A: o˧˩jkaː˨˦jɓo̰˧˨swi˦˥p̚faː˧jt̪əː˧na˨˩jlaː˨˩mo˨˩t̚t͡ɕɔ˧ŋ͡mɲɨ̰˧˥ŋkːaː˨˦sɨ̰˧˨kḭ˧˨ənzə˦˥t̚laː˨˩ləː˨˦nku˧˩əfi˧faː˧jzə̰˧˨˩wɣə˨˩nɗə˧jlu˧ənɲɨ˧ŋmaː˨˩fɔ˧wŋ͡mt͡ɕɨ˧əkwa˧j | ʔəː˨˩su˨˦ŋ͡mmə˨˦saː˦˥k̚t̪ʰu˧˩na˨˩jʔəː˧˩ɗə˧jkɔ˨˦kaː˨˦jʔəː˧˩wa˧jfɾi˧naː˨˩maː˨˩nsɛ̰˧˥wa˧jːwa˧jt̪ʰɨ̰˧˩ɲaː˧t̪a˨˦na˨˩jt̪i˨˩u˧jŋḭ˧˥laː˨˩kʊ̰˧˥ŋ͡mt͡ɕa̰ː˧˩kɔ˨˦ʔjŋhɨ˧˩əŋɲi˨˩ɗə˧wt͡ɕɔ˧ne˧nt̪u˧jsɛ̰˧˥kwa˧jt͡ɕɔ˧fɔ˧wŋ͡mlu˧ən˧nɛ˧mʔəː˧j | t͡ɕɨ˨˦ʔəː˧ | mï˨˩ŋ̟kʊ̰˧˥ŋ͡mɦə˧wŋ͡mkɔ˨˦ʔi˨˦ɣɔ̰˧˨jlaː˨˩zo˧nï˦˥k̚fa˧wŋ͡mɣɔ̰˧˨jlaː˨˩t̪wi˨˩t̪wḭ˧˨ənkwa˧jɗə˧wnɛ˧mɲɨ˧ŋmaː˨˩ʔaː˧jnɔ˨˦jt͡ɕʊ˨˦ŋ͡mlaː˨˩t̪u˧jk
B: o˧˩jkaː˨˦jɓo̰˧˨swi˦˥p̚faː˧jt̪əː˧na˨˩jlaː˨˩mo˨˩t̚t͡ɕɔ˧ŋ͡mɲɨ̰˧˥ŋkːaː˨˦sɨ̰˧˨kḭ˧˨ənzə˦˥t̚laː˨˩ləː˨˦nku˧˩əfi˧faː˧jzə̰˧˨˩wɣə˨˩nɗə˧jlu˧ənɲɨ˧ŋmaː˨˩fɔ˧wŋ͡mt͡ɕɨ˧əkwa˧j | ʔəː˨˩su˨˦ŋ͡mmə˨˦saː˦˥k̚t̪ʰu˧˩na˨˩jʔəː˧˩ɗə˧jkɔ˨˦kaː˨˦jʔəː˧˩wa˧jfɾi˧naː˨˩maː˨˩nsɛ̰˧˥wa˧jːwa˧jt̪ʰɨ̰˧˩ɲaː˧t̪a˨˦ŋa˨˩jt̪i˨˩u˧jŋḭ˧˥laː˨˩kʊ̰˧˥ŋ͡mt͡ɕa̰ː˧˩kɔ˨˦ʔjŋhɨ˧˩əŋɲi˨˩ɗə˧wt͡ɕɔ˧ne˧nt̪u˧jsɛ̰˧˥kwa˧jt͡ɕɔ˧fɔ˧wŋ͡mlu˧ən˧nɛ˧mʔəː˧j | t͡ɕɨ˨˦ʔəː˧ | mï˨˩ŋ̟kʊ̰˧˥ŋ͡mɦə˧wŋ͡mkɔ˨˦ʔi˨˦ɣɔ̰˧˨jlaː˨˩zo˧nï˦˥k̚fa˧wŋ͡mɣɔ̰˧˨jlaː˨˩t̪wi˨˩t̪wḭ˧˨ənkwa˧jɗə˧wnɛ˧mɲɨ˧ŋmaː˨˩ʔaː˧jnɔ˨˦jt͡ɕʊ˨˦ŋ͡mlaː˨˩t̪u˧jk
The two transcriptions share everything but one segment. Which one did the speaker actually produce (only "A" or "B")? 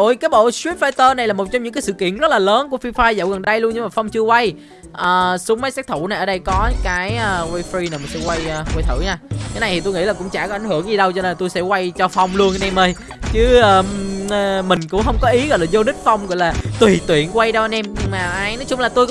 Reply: A